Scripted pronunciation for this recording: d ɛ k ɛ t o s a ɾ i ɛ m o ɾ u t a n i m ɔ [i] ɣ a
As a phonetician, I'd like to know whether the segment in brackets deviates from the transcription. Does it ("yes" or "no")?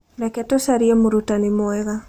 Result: yes